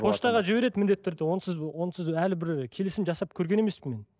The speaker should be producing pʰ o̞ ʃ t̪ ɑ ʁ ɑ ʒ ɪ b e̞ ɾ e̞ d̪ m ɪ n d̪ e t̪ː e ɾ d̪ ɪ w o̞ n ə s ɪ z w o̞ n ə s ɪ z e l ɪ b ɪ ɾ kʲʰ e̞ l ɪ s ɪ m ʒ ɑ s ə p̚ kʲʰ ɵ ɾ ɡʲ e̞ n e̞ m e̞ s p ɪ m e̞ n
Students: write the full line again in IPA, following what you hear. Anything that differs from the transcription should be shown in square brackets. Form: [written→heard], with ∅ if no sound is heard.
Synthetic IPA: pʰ o̞ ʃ t̪ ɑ ʁ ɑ ʒ ɪ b e̞ ɾ e̞ d̪ m ɪ n d̪ e t̪ː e ɾ d̪ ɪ w o̞ n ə s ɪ z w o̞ n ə s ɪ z [e→æ] l ɪ b ɪ ɾ kʲʰ e̞ l ɪ s ɪ m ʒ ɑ s [ə→ɑ] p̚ kʲʰ ɵ ɾ ɡʲ e̞ n e̞ m e̞ s p ɪ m e̞ n